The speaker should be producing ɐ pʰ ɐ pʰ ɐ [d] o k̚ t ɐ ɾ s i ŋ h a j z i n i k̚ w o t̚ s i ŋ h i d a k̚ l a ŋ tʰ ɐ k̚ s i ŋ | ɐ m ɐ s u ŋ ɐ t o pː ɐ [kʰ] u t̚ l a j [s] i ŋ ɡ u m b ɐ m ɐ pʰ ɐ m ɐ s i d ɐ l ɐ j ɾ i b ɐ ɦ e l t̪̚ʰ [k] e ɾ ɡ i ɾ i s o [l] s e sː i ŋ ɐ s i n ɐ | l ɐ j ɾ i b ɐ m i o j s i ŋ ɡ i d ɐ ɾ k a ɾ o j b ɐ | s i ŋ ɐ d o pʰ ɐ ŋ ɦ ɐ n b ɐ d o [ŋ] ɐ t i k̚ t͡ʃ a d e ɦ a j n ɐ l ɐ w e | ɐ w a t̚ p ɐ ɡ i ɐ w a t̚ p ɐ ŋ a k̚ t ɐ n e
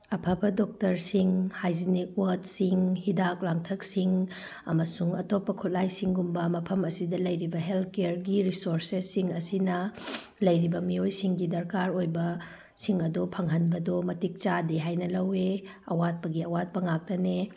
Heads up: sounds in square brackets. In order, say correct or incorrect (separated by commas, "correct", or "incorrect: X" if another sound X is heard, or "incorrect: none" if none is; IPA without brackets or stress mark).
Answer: correct, correct, correct, correct, incorrect: ɾ, incorrect: m